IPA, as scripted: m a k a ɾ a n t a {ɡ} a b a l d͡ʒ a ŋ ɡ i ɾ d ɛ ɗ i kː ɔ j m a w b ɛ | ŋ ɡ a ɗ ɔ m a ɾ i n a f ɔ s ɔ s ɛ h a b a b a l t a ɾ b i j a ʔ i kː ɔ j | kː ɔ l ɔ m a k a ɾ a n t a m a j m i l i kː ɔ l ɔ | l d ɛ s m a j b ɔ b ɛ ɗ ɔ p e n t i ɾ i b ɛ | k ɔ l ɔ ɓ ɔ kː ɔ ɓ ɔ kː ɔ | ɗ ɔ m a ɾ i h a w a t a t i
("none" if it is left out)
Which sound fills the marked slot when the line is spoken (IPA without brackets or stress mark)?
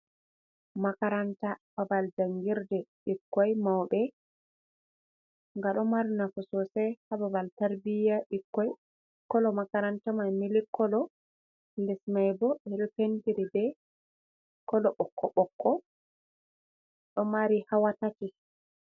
b